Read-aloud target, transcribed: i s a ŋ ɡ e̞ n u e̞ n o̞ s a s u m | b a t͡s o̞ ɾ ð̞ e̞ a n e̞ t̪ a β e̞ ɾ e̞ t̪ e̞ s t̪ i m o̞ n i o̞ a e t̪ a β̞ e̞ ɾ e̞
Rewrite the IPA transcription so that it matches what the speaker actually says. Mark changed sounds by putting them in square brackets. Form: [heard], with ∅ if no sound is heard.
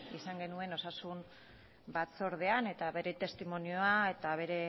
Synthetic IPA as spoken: i s a ŋ ɡ e̞ n u e̞ n o̞ s a s u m | b a t͡s o̞ ɾ ð̞ e̞ a n e̞ t̪ a β e̞ ɾ e̞ t̪ e̞ s t̪ i m o̞ n i o̞ a e t̪ a β̞ e̞ ɾ e̞